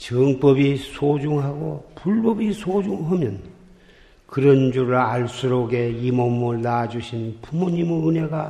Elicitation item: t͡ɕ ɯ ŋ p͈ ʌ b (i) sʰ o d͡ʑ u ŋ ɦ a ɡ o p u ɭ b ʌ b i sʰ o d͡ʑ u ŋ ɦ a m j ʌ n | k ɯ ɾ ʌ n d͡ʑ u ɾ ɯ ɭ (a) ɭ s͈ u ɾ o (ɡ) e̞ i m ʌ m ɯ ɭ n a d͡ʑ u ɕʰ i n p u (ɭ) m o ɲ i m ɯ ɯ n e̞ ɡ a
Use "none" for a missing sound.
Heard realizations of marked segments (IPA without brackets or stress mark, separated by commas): i, a, ɡ, none